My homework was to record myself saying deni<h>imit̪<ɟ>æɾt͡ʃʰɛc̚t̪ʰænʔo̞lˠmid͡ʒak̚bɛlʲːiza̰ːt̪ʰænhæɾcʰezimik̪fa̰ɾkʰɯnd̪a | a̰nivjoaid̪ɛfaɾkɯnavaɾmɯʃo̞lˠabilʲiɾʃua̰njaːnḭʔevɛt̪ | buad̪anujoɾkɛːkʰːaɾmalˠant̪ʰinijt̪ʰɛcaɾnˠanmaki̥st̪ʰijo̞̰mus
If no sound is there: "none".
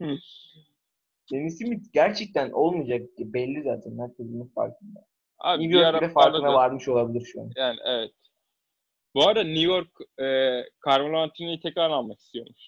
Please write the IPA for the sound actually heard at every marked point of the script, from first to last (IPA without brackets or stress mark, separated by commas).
s, ɟ